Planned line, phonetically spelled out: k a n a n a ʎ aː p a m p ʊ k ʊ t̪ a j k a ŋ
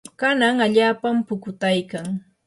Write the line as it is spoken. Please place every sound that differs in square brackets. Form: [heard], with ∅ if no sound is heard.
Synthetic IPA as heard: k a n a [ŋ] a ʎ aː p a m p ʊ k ʊ t̪ a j k a ŋ